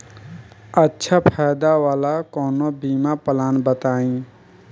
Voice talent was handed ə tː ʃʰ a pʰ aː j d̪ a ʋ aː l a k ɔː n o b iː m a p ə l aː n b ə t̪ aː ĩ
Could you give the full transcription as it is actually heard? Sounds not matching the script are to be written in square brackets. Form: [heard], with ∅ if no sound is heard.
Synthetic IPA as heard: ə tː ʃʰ a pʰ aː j d̪ a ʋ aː l a k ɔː n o b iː m a p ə l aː n b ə t̪ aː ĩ